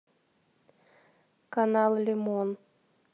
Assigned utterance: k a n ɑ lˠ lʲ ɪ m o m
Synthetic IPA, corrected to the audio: k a n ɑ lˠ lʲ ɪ m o n